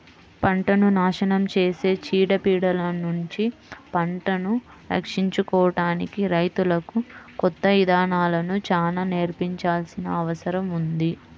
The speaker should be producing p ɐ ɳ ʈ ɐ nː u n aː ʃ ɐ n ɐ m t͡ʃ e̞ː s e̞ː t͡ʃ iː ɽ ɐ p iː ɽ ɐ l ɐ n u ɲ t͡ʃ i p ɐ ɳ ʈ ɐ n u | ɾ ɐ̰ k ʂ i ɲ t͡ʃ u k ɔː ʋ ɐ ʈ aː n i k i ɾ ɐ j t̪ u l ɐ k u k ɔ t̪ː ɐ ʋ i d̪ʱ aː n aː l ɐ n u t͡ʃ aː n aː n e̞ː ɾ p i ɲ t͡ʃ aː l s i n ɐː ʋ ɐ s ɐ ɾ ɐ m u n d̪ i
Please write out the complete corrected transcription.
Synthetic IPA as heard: p ɐ ɳ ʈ ɐ n u n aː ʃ ɐ n ɐ m t͡ʃ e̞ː s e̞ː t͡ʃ iː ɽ ɐ p iː ɽ ɐ l ɐ n u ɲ t͡ʃ i p ɐ ɳ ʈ ɐ n u | ɾ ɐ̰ k ʂ i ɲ t͡ʃ u k ɔː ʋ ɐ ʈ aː n i k i ɾ ɐ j t̪ u l ɐ k u k ɔ t̪ː ɐ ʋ i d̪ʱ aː n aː l ɐ n u t͡ʃ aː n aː n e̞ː ɾ p i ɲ t͡ʃ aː l s i n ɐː ʋ ɐ s ɐ ɾ ɐ m u n d̪ i

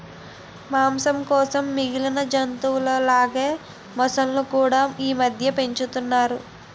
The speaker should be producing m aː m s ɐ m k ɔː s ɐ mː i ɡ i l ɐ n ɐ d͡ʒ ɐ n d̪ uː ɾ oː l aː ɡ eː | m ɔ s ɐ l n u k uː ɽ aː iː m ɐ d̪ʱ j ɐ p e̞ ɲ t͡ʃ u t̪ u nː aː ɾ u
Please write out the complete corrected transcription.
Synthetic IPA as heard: m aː m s ɐ m k ɔː s ɐ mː i ɡ i l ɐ n ɐ d͡ʒ ɐ n t̪ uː l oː l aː ɡ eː | m ɔ s ɐ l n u k uː ɽ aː iː m ɐ d̪ʱ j ɐ p e̞ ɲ t͡ʃ u t̪ u nː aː ɾ u

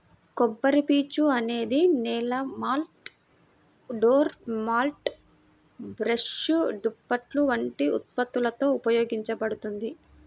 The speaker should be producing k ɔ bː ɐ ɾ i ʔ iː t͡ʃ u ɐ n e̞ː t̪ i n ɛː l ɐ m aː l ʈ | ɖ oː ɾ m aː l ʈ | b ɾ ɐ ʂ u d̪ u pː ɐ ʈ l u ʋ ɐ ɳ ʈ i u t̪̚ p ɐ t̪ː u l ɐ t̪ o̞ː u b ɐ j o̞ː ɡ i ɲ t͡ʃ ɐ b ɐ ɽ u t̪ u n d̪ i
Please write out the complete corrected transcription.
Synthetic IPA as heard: k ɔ bː ɐ ɾ i p iː t͡ʃ u ɐ n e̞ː d̪ i n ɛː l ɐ m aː l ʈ | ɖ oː ɾ m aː l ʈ | b ɾ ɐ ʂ u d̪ u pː ɐ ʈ l u ʋ ɐ ɳ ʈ i u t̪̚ p ɐ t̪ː u l ɐ t̪ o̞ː u p ɐ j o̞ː ɡ i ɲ t͡ʃ ɐ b ɐ ɽ u t̪ u n d̪ i

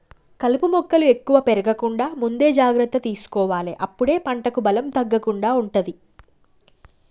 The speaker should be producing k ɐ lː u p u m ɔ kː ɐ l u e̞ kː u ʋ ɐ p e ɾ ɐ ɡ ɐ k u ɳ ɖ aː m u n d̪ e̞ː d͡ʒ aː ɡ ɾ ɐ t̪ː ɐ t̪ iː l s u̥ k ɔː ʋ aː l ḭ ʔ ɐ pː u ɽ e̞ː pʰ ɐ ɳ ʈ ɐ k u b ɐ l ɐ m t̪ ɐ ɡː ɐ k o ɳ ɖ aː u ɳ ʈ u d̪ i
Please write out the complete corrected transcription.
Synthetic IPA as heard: k ɐ l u p u m ɔ kː ɐ l u e̞ kː u ʋ ɐ p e ɾ ɐ ɡ ɐ k u ɳ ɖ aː m u n d̪ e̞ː d͡ʒ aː ɡ ɾ ɐ t̪ː ɐ t̪ iː s u̥ k ɔː ʋ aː l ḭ ʔ ɐ pː u ɽ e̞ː p ɐ ɳ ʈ ɐ k u b ɐ l ɐ m t̪ ɐ ɡː ɐ k u ɳ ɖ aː u ɳ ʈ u d̪ i

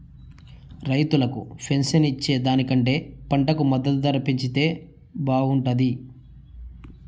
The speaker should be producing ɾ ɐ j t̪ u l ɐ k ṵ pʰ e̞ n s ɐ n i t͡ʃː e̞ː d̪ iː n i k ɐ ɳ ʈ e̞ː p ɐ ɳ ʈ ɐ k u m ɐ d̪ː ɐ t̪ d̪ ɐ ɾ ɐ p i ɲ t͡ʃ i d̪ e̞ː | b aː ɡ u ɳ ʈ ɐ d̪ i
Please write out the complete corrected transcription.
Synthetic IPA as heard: ɾ ɐ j t̪ u l ɐ k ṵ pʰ e̞ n s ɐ n i t͡ʃː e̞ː d̪ aː n i k ɐ ɳ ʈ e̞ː p ɐ ɳ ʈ ɐ k u m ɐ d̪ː ɐ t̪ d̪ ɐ ɾ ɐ p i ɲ t͡ʃ i t̪ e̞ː | b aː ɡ u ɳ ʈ ɐ d̪ i

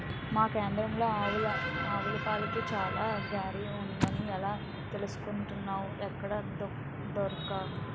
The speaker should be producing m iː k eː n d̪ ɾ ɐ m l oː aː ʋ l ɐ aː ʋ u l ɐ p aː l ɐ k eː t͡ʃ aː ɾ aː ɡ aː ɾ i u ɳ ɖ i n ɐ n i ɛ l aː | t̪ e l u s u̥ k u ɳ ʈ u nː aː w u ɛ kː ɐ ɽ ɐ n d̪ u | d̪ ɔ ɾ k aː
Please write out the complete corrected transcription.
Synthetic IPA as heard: m aː k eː n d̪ ɾ ɐ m l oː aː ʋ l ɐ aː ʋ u l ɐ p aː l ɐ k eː t͡ʃ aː l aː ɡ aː ɾ i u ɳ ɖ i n ɐ n i ɛ l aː | t̪ e l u s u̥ k u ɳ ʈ u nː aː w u ɛ kː ɐ ɽ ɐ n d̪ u | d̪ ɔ ɾ k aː

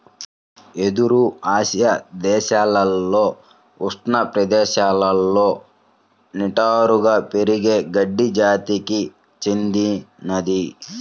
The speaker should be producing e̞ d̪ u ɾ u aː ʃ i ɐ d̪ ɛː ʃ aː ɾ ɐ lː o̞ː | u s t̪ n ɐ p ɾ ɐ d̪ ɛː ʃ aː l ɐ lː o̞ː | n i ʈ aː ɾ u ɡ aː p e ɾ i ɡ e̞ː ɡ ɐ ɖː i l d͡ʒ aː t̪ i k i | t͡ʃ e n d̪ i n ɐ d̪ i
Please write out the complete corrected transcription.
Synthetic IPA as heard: e̞ d̪ u ɾ u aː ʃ j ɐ d̪ ɛː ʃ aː l ɐ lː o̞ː | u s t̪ n ɐ p ɾ ɐ d̪ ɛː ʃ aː l ɐ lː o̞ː | n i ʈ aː ɾ u ɡ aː p e ɾ i ɡ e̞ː ɡ ɐ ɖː i d͡ʒ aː t̪ i k i | t͡ʃ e n d̪ i n ɐ d̪ i

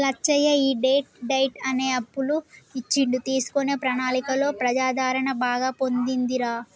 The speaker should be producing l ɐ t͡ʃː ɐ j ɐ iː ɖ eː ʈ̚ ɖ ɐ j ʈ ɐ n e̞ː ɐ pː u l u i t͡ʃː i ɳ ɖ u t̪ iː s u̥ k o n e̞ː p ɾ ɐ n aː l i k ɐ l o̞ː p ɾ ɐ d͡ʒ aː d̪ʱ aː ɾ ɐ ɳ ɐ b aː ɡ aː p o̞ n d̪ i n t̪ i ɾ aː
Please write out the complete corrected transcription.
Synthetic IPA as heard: l ɐ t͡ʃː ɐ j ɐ iː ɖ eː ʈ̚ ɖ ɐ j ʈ ɐ n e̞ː ɐ pː u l u i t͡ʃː i ɳ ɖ u t̪ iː s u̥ k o n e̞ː p ɾ ɐ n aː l i k ɐ l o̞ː p ɾ ɐ d͡ʒ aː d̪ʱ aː ɾ ɐ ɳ ɐ b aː ɡ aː p o̞ n d̪ i n d̪ i ɾ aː

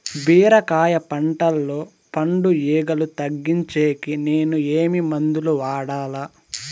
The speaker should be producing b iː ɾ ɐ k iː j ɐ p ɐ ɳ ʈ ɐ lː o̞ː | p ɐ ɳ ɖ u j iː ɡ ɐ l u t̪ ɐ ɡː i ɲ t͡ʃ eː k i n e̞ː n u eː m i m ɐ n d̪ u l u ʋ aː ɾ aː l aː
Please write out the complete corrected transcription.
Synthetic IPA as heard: b iː ɾ ɐ k aː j ɐ p ɐ ɳ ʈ ɐ lː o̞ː | p ɐ ɳ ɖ u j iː ɡ ɐ l u t̪ ɐ ɡː i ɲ t͡ʃ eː k i n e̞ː n u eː m i m ɐ n d̪ u l u ʋ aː ɽ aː l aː

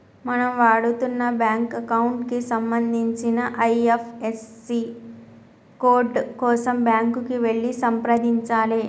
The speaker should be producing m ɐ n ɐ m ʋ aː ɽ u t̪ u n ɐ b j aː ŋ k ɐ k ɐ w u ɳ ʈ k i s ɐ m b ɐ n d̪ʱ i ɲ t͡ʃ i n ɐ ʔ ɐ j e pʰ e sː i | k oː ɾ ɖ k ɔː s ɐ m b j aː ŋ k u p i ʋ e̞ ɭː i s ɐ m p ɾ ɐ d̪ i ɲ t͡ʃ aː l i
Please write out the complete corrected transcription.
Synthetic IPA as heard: m ɐ n ɐ m ʋ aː ɽ u t̪ u nː ɐ b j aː ŋ k ɐ k ɐ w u ɳ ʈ k i s ɐ m b ɐ n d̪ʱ i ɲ t͡ʃ i n ɐ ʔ ɐ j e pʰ e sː i | k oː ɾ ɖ k ɔː s ɐ m b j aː ŋ k u k i ʋ e̞ ɭː i s ɐ m p ɾ ɐ d̪ i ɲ t͡ʃ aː l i

